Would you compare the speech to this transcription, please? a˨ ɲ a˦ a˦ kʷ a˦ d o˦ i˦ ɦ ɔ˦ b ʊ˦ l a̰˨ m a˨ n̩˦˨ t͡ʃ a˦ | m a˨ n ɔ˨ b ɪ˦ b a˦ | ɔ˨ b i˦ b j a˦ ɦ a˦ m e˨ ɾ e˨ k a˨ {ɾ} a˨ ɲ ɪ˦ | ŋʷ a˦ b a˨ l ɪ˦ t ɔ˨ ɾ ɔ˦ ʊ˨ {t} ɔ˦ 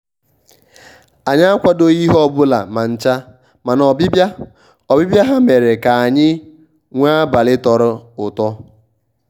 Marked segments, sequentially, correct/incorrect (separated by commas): incorrect, correct